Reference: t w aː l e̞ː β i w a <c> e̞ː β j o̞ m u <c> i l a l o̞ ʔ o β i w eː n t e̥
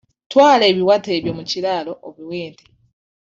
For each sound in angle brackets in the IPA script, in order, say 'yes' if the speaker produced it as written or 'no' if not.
no, yes

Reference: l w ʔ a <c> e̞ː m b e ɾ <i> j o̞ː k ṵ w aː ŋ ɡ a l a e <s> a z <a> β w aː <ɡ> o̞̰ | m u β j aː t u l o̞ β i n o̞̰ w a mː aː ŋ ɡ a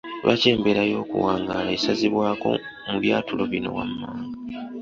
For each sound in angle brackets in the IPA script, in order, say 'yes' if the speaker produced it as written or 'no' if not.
yes, no, yes, no, no

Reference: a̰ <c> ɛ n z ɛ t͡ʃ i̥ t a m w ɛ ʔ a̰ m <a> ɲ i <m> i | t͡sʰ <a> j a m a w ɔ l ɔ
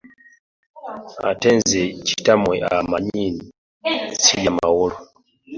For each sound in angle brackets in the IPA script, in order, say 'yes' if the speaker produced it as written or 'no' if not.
no, yes, no, no

